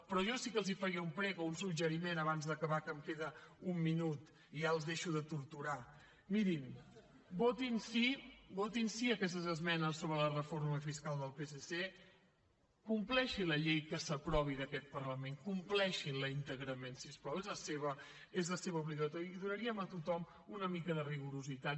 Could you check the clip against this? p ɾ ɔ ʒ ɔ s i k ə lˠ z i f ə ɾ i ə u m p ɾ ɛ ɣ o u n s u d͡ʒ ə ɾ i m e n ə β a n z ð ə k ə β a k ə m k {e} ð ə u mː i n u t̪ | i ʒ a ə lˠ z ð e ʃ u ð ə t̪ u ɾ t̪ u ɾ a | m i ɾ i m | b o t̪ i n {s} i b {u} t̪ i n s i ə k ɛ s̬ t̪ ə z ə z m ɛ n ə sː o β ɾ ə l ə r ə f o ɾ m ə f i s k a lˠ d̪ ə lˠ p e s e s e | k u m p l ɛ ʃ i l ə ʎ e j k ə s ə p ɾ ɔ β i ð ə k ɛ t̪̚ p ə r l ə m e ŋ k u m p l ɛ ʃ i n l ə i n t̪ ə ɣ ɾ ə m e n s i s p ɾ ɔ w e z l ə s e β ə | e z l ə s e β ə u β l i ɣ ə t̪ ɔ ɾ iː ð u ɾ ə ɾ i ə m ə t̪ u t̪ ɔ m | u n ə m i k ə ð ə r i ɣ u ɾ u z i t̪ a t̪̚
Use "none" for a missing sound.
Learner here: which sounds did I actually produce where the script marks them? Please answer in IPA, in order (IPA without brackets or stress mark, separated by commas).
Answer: e, s, o